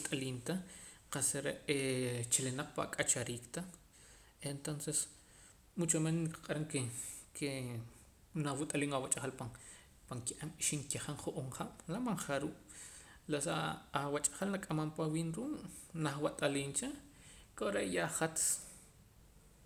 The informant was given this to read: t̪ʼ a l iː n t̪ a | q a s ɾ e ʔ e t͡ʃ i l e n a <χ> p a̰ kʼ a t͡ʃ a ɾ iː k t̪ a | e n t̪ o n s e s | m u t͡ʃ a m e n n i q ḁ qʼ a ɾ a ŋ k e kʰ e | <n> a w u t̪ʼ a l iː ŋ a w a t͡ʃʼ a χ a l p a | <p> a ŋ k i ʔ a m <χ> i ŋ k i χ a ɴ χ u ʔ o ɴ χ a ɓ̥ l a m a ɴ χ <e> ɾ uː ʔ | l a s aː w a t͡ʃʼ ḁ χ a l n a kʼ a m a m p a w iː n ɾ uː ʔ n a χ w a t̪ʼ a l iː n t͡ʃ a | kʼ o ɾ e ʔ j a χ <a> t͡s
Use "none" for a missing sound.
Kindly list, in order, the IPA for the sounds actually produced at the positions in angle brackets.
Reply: q͡χ, n, p, ʃ, a, a

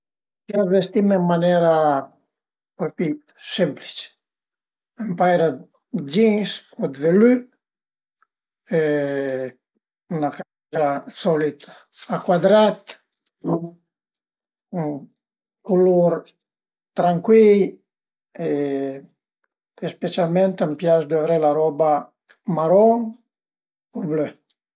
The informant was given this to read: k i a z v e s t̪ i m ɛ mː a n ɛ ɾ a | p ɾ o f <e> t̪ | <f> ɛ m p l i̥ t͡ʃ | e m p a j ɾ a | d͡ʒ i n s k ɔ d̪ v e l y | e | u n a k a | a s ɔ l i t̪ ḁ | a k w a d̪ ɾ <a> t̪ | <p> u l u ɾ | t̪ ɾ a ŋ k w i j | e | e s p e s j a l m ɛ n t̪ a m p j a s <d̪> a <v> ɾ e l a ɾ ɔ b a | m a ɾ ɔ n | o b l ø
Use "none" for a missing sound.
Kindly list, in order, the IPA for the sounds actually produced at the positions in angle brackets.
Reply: i, s, a, k, d̪, v

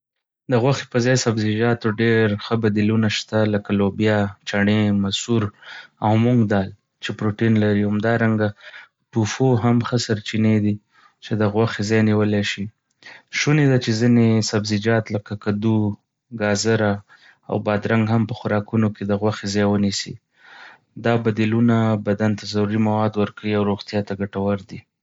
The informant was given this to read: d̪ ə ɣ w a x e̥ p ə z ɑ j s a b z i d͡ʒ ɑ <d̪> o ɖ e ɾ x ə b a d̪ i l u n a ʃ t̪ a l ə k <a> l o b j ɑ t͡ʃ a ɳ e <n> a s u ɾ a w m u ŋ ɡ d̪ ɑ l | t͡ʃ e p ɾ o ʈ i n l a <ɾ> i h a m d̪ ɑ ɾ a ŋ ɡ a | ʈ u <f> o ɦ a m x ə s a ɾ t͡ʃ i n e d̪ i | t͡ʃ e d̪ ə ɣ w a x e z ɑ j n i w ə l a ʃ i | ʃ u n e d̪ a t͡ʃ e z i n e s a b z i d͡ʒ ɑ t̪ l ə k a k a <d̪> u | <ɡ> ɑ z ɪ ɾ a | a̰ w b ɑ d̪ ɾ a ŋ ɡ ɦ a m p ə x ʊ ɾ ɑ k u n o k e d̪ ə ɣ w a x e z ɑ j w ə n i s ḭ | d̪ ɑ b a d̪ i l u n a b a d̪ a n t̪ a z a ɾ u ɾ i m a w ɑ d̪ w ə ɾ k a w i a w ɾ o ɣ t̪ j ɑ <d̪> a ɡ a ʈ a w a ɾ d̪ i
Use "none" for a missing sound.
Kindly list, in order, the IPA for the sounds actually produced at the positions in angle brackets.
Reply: t̪, a, m, ɾ, f, d̪, ɡ, t̪

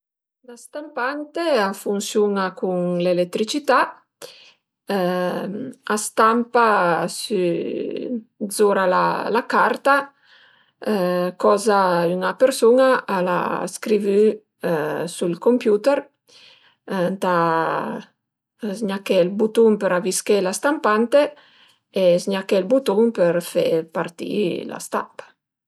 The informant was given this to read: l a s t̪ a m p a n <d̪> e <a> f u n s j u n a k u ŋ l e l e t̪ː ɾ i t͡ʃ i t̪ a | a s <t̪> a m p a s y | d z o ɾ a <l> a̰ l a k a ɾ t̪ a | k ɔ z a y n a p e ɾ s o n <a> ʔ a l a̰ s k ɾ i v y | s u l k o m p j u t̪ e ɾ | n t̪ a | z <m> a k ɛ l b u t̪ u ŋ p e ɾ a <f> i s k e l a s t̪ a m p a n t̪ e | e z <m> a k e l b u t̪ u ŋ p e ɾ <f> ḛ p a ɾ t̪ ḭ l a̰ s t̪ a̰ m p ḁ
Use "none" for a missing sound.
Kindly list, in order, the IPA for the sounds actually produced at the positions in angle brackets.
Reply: t̪, a, t̪, l, a, ɲ, v, ɲ, f

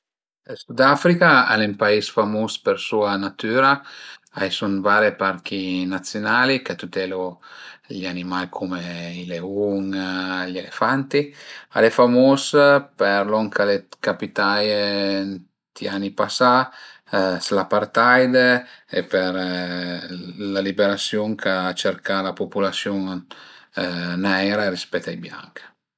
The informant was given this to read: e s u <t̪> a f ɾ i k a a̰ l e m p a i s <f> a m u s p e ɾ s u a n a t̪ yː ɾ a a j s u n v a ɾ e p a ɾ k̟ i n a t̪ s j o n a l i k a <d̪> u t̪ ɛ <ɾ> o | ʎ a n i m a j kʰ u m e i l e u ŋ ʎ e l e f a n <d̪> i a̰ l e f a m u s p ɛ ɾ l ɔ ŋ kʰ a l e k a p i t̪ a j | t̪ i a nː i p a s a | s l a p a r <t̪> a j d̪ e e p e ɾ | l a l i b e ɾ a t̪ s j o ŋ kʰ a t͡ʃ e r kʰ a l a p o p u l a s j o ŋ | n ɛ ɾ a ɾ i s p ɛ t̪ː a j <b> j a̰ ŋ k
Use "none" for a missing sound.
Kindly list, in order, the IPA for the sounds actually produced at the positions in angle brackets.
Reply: d̪, f, t̪, l, t̪, t̪, b

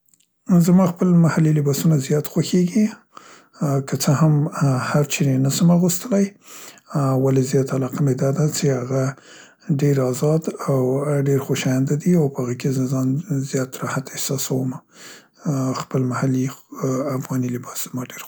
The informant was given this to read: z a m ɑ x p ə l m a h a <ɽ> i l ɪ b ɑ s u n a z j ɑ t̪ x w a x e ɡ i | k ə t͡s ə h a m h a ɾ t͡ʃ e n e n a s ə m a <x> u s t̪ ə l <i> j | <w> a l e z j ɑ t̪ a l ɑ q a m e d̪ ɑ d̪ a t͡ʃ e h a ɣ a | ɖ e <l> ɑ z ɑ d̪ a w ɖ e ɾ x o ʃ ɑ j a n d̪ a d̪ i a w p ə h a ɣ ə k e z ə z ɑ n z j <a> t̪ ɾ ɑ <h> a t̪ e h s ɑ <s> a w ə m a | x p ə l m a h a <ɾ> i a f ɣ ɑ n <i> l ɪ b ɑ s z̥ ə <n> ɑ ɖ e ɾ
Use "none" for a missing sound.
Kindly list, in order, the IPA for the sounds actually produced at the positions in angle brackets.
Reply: l, ɣ, a, w, ɾ, ɑ, h, s, l, i, m

